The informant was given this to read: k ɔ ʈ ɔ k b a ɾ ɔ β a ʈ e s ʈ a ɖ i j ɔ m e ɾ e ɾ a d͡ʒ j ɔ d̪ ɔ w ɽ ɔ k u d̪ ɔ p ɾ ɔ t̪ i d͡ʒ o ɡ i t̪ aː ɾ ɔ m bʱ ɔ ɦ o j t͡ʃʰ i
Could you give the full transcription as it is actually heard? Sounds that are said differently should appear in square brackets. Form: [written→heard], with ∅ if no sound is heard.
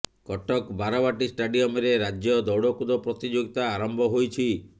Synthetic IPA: k ɔ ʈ ɔ k b a ɾ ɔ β a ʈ [e→i] s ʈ a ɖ i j ɔ m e ɾ e ɾ a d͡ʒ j ɔ d̪ ɔ w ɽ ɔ k u d̪ ɔ p ɾ ɔ t̪ i d͡ʒ o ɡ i t̪ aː ɾ ɔ m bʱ ɔ ɦ o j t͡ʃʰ i